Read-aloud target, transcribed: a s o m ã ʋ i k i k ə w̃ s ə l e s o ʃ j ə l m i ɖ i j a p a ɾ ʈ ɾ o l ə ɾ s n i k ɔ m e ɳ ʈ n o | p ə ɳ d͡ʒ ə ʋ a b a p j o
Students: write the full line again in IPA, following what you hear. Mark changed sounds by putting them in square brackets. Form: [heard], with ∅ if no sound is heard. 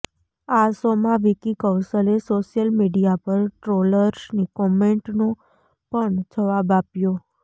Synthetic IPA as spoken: a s o m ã ʋ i k i k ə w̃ s ə l e s o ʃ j ə l m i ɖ i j a p [ə] ɾ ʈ ɾ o l ə ɾ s n i k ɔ m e ɳ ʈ n o | p ə ɳ d͡ʒ ə ʋ a b a p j o